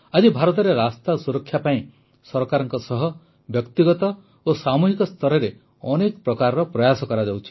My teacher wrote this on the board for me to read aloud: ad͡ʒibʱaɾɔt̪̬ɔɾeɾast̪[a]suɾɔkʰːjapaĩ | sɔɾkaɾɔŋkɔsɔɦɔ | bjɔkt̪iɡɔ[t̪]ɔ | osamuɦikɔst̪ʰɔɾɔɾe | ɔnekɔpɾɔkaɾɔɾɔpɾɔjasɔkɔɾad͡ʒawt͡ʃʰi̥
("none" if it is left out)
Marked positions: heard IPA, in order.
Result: a, t̪

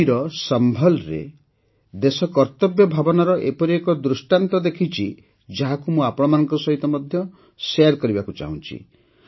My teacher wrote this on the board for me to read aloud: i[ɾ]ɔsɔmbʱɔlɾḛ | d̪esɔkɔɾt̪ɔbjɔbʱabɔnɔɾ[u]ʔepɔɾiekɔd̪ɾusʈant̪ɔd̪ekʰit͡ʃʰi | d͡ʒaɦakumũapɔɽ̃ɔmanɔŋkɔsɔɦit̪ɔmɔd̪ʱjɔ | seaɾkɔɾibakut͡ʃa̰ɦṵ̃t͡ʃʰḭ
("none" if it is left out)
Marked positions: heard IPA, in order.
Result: ɾ, ɔ

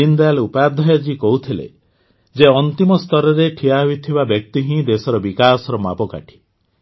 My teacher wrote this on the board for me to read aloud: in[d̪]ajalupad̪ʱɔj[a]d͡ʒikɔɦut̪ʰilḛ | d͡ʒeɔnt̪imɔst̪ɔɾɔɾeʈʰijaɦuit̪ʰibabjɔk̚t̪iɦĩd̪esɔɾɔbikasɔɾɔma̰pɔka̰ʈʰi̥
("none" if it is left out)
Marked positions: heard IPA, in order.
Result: d̪, a

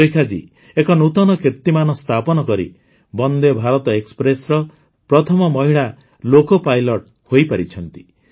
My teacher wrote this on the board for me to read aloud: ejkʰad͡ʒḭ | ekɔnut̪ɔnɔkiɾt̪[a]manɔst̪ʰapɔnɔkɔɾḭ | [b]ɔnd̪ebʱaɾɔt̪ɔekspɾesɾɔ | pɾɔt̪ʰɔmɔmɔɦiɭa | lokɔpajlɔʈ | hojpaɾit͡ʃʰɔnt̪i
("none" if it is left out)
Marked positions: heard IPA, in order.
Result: i, b

